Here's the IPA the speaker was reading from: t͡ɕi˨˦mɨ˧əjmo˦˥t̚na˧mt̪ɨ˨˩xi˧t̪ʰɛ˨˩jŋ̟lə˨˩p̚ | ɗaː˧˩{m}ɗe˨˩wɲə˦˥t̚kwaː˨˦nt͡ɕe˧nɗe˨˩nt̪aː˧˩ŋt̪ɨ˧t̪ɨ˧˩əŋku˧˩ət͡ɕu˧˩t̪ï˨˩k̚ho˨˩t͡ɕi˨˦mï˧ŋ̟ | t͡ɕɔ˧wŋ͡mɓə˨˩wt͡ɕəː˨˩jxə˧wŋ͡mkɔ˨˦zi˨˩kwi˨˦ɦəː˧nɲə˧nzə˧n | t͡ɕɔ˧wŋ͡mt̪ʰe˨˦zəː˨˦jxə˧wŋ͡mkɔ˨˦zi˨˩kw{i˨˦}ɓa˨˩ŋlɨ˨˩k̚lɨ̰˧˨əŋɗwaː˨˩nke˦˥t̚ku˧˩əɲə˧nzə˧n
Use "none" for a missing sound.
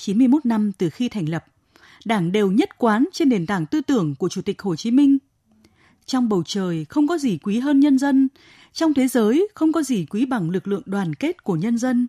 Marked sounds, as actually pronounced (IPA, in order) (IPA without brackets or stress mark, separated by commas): ŋ, i˨˦